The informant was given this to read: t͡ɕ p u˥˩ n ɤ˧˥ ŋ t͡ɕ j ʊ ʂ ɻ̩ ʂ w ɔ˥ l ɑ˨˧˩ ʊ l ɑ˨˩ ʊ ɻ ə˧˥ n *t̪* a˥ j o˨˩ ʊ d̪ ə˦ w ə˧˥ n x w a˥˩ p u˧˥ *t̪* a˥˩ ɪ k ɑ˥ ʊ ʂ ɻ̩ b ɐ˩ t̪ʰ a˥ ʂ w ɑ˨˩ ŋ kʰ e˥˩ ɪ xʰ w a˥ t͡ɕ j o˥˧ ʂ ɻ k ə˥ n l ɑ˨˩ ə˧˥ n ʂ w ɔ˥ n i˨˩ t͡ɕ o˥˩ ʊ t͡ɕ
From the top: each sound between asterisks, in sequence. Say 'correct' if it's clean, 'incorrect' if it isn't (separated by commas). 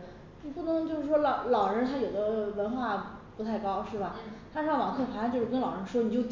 incorrect, incorrect